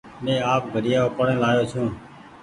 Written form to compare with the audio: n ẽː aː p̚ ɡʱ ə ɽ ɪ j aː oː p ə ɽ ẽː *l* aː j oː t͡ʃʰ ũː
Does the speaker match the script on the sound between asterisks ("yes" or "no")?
yes